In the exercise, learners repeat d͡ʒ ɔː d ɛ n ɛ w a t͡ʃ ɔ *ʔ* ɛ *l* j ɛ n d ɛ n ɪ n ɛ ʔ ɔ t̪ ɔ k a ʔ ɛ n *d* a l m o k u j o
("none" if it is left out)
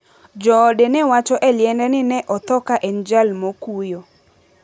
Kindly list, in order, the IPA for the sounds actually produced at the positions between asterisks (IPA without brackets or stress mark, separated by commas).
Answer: ʔ, l, d͡ʒ